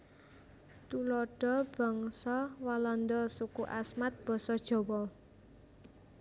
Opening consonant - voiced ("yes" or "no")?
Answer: no